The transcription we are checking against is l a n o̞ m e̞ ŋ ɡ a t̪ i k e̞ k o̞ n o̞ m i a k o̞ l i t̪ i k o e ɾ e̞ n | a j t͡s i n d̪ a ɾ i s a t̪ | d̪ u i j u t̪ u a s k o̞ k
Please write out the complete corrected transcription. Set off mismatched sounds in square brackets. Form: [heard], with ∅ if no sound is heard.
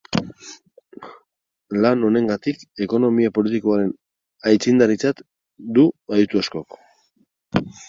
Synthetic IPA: l a n o̞ [n] e̞ ŋ ɡ a t̪ i k e̞ k o̞ n o̞ m i a [p] o̞ l i t̪ i k o [a] ɾ e̞ n | a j t͡s i n d̪ a ɾ i [t͡s] a t̪ | d̪ u [a] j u t̪ u a s k o̞ k